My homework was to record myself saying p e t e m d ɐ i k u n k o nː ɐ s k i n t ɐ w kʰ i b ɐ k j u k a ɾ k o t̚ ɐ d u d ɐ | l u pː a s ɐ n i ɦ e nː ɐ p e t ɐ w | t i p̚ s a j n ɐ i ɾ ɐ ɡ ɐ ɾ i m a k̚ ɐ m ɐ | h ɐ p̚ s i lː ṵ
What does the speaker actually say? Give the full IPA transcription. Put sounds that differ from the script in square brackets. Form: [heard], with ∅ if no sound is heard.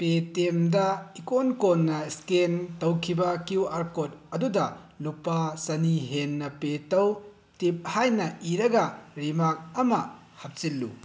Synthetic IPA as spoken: p e t e m d ɐ i k [o] n k o nː ɐ s k [e] n t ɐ w kʰ i b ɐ k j u [∅] a ɾ k o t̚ ɐ d u d ɐ | l u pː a s ɐ n i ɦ e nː ɐ p e t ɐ w | t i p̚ [h] a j n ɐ i ɾ ɐ ɡ ɐ ɾ i m a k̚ ɐ m ɐ | h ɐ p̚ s i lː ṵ

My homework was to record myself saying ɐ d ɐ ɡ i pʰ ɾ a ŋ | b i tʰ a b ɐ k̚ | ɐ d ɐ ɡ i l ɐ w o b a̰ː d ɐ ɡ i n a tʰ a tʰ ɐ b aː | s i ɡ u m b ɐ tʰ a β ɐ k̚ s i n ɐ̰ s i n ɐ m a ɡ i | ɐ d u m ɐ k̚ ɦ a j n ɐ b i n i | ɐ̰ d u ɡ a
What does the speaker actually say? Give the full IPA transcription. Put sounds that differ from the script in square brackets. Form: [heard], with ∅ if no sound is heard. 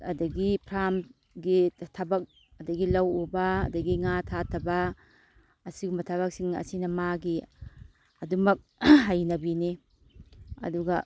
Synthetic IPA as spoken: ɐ d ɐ ɡ i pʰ ɾ a [m] | [ɡ] i tʰ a b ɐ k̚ | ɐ d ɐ ɡ i l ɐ w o b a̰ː d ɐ ɡ i [ŋ] a tʰ a tʰ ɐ b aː | s i ɡ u m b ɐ tʰ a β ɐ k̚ s i [ŋ] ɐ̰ s i n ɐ m a ɡ i | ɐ d u m ɐ k̚ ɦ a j n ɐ b i n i | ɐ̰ d u ɡ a

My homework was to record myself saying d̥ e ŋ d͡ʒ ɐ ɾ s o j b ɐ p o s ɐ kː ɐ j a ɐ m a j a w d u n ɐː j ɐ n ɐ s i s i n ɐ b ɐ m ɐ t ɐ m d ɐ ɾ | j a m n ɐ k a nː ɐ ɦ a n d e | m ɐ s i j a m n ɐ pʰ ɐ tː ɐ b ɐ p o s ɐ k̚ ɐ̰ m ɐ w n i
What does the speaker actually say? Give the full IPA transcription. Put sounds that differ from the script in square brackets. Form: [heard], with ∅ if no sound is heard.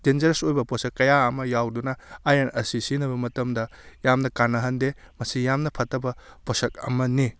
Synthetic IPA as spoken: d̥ e [n] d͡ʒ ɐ ɾ s o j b ɐ p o s ɐ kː ɐ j a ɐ m [ɐ] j a w d u n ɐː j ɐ n ɐ s i s i n ɐ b ɐ m ɐ t ɐ m d ɐ [∅] | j a m n ɐ k a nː ɐ ɦ [ɐ] n d e | m ɐ s i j a m n ɐ pʰ ɐ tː ɐ b ɐ p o s ɐ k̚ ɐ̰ m ɐ [∅] n i

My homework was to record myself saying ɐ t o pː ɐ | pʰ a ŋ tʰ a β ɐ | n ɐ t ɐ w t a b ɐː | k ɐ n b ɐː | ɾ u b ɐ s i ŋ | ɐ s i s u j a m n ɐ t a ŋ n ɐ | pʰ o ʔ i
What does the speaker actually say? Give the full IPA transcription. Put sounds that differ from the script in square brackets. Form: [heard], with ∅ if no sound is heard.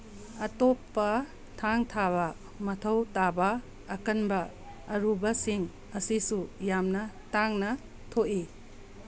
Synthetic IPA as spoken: ɐ t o pː ɐ | [tʰ] a ŋ tʰ a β ɐ | [m] ɐ [tʰ] ɐ w t a b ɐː | k ɐ n b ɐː | ɾ u b ɐ s i ŋ | ɐ s i s u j a m n ɐ t a ŋ n ɐ | [tʰ] o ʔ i

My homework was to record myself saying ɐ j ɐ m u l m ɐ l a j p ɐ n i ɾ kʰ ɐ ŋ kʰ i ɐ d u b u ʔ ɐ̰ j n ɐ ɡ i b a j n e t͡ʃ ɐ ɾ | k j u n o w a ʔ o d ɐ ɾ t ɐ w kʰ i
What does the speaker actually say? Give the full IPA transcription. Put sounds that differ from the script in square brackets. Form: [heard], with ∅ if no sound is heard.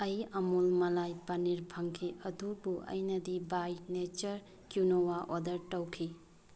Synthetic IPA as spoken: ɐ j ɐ m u l m ɐ l a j p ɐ n i ɾ [pʰ] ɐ ŋ kʰ i ɐ d u b u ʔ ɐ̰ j n ɐ [d] i b a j n e t͡ʃ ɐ ɾ | k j u n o w a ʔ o d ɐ ɾ t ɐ w kʰ i

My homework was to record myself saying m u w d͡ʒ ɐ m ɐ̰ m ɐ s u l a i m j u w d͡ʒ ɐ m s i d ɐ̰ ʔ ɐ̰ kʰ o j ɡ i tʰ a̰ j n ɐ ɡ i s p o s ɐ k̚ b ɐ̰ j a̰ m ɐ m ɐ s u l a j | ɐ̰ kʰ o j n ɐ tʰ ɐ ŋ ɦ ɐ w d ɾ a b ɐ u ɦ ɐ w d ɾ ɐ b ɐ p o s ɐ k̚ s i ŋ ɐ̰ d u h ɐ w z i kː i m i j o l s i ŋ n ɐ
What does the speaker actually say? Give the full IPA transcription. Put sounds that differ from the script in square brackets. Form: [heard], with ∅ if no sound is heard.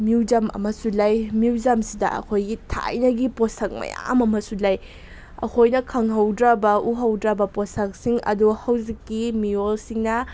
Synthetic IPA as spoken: m u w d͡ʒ ɐ m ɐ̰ m ɐ s u l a [j] m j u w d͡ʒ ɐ m s i d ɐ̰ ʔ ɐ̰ kʰ o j ɡ i tʰ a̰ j n ɐ ɡ i [∅] p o s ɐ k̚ [m] ɐ̰ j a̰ m ɐ m ɐ s u l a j | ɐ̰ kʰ o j n ɐ [kʰ] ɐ ŋ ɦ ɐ w d ɾ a b ɐ u ɦ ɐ w d ɾ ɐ b ɐ p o s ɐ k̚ s i ŋ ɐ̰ d u h ɐ w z i kː i m i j o l s i ŋ n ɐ

